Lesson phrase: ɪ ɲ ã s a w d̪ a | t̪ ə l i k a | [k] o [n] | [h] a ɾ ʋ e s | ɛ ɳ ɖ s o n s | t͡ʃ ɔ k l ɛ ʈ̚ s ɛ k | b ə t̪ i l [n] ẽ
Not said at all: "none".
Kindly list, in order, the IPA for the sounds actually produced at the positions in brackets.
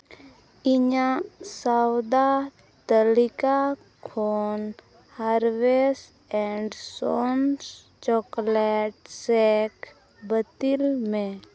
kʰ, n, h, m

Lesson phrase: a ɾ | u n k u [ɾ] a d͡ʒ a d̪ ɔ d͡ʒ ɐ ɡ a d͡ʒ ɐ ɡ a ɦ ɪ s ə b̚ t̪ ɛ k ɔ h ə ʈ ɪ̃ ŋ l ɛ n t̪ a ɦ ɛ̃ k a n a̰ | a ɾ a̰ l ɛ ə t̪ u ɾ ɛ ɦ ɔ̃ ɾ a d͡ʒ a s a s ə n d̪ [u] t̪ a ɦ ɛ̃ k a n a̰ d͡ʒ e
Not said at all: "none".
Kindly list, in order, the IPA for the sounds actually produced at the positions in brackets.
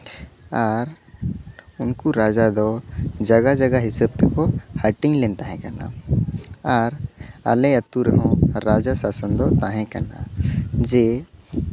ɾ, ɔ

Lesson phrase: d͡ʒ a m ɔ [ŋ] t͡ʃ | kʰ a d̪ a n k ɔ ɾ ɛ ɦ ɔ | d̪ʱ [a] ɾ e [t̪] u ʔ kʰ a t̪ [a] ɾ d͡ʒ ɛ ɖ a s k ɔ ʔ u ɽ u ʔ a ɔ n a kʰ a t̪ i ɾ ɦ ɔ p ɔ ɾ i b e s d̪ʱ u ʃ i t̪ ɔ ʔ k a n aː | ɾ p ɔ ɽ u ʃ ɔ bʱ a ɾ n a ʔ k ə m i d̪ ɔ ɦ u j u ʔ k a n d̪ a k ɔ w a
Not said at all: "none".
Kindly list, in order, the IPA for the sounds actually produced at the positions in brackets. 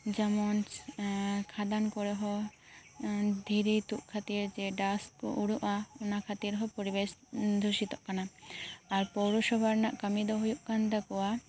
n, i, t̪, i

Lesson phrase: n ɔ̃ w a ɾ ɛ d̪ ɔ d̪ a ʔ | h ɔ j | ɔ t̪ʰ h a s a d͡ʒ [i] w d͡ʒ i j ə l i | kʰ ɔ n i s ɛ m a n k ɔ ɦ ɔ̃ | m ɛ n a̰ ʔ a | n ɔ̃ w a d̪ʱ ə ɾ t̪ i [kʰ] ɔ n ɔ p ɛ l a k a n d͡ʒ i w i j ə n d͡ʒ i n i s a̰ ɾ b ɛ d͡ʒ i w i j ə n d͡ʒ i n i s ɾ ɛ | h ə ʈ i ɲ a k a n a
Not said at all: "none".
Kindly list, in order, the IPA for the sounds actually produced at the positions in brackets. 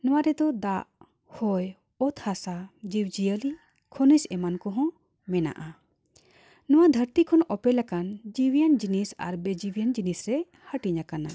i, kʰ

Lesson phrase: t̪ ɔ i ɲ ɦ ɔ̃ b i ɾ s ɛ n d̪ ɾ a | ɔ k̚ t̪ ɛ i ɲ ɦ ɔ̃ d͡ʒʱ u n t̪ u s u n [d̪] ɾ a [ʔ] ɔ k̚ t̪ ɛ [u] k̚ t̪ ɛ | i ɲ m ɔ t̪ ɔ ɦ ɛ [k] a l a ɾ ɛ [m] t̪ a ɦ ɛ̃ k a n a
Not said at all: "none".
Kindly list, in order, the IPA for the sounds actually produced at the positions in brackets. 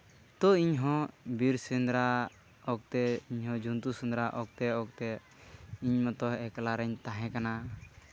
d̪, ʔ, ɔ, k, ɲ

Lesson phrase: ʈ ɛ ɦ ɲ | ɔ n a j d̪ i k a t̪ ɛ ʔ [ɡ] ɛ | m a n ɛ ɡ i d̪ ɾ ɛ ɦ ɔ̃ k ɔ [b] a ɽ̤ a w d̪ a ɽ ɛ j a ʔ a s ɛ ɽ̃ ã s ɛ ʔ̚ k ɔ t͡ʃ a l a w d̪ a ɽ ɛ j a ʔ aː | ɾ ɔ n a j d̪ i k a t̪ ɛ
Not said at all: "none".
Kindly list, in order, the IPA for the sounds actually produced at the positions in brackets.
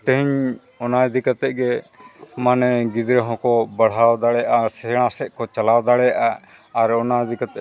ɡ, b

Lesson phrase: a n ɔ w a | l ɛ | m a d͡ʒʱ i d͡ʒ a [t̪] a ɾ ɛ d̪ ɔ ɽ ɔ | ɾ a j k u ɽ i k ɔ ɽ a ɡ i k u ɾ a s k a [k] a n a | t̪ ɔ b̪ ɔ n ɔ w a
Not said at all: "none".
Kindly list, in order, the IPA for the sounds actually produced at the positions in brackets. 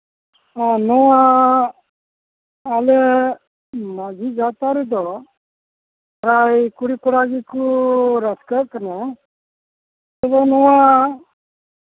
t̪, k

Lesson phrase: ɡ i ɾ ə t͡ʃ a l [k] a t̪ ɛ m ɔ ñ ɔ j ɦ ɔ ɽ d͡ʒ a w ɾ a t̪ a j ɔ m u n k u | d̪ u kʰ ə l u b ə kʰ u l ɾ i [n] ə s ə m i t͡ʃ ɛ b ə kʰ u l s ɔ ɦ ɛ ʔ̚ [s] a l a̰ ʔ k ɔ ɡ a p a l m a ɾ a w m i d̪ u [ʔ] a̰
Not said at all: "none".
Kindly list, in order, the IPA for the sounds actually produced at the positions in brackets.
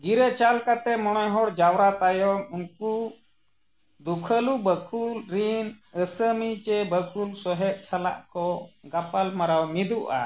k, n, s, ʔ

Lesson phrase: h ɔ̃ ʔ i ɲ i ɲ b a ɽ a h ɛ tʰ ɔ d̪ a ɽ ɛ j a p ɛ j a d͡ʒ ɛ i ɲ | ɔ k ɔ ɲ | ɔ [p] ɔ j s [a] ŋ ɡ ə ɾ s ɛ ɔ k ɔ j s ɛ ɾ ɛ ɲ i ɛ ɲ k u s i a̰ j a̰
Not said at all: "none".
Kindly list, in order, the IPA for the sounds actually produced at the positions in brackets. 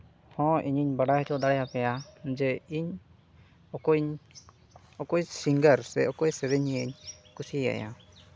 k, i

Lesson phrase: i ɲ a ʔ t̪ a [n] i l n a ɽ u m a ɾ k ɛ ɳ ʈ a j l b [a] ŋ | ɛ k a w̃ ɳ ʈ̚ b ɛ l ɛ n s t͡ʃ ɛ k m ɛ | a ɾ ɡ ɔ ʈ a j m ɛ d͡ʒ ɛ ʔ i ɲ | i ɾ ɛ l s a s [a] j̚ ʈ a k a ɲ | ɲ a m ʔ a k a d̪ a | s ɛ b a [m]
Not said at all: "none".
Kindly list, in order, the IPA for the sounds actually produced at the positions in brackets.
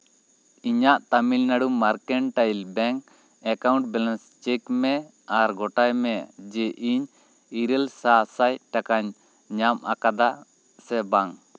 m, ɛ, a, ŋ

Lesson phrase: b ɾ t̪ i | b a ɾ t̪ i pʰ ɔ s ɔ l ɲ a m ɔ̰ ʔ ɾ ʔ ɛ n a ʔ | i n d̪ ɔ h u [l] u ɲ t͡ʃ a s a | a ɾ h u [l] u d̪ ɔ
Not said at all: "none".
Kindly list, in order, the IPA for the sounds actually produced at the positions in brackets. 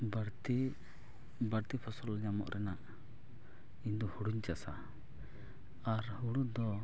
ɽ, ɽ

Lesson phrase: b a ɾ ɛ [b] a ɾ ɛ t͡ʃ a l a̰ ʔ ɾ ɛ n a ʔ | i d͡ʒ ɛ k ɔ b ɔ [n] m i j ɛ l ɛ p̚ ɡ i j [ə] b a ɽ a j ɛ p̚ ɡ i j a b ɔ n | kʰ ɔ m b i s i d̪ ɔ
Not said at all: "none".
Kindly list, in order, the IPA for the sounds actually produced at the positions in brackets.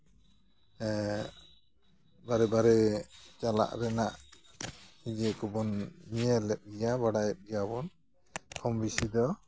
b, n, a

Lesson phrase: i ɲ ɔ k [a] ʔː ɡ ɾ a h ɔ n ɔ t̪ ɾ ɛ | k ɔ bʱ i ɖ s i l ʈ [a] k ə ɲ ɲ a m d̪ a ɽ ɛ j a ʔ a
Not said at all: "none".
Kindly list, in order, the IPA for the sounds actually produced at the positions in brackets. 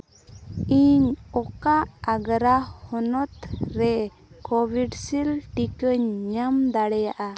a, i

